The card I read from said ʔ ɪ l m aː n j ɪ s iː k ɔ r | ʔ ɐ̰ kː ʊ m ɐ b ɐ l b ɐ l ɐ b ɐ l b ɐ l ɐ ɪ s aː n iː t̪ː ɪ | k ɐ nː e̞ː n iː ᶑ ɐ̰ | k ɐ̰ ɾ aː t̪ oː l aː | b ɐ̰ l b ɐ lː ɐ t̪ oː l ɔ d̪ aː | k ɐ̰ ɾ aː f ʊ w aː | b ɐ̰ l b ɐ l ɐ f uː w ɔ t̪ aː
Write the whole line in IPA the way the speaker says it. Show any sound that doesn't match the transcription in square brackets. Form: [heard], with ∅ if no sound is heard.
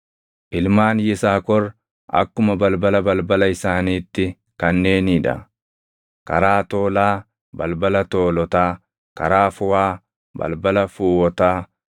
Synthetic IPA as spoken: ʔ ɪ l m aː n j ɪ s [aː] k ɔ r | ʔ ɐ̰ kː ʊ m ɐ b ɐ l b ɐ l ɐ b ɐ l b ɐ l ɐ ɪ s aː n iː t̪ː ɪ | k ɐ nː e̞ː n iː ᶑ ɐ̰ | k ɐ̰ ɾ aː t̪ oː l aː | b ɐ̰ l b ɐ [l] ɐ t̪ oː l ɔ [t̪] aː | k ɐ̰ ɾ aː f ʊ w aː | b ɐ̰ l b ɐ l ɐ f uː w ɔ t̪ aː